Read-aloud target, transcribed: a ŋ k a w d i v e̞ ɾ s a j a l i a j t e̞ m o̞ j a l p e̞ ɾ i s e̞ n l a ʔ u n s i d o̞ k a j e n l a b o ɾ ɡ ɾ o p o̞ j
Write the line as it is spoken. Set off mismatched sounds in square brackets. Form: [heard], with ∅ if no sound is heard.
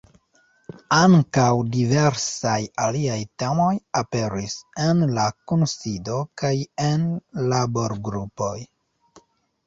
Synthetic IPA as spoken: a ŋ k a w d i v e̞ ɾ s a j a l i a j t e̞ m o̞ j a [∅] p e̞ ɾ i s e̞ n l a [k] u n s i d o̞ k a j e n l a b o ɾ ɡ ɾ [u] p o̞ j